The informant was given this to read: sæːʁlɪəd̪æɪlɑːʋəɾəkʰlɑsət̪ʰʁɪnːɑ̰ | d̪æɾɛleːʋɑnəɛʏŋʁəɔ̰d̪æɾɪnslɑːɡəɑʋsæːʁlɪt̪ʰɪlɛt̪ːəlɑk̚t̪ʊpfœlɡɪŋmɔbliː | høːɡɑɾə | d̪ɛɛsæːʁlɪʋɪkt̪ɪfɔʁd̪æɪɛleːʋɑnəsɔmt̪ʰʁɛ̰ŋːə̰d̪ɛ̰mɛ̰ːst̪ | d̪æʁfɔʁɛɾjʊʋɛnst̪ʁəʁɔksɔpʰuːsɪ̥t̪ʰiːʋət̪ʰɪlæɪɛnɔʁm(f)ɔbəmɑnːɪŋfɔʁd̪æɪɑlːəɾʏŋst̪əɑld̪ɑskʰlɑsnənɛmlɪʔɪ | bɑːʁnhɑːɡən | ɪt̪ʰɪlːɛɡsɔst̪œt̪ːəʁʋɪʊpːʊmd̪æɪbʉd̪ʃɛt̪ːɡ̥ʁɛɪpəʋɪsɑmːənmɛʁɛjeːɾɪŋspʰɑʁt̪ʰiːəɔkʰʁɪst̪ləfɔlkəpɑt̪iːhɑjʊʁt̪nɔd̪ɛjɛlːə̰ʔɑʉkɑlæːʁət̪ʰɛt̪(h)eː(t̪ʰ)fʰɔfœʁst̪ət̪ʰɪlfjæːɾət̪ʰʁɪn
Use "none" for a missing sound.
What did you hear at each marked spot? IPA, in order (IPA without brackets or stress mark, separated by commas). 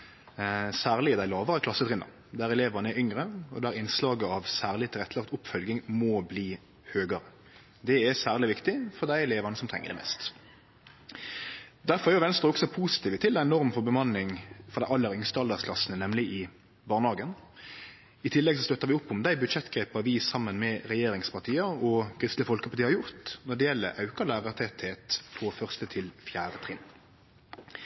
f, h, t̪